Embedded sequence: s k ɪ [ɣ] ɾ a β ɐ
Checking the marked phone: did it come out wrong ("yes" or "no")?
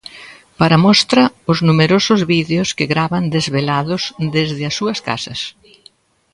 no